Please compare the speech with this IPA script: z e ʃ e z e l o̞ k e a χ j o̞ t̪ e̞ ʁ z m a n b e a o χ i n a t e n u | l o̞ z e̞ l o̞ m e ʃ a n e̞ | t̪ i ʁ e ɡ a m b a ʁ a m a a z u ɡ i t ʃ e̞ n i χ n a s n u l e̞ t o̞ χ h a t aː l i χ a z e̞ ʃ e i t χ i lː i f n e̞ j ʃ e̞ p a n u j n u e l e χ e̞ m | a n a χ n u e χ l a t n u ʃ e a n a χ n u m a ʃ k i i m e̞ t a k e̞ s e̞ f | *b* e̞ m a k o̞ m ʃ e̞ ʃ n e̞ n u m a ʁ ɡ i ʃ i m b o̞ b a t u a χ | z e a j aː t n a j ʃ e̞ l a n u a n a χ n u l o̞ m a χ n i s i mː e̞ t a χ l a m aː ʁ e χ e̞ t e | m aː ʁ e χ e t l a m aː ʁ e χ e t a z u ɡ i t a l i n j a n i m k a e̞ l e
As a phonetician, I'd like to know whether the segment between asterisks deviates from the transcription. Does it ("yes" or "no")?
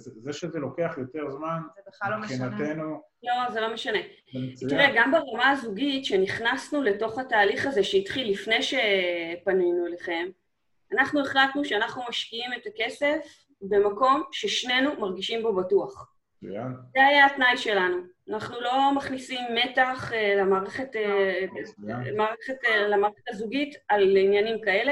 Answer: no